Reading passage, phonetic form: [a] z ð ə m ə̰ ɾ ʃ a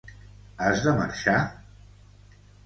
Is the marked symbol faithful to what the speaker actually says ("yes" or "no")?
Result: yes